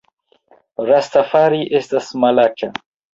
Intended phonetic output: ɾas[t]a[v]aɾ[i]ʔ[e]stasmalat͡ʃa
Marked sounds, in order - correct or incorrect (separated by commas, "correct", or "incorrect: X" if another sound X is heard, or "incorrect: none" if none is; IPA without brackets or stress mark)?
correct, incorrect: f, correct, correct